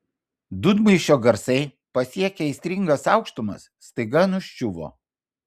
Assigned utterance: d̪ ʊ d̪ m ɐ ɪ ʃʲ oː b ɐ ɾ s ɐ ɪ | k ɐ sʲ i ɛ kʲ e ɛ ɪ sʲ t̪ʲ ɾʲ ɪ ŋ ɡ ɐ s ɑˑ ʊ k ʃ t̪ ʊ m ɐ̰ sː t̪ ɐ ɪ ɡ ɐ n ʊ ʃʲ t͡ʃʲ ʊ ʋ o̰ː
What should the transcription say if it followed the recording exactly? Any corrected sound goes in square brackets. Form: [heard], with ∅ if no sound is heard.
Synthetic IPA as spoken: d̪ ʊ d̪ m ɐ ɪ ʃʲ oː [ɡ] ɐ ɾ s ɐ ɪ | [p] ɐ sʲ i ɛ kʲ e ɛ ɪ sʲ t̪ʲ ɾʲ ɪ ŋ ɡ ɐ s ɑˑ ʊ k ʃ t̪ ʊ m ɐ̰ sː t̪ ɐ ɪ ɡ ɐ n ʊ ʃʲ t͡ʃʲ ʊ ʋ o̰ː